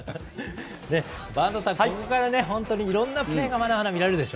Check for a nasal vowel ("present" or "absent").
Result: present